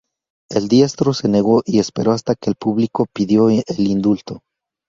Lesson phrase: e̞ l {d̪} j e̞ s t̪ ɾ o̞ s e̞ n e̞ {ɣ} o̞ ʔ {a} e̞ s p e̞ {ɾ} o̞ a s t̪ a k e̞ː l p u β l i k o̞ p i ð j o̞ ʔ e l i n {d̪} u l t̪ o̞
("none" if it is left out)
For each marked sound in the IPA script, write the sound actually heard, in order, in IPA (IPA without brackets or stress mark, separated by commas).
d̪, ɣ, i, ɾ, d̪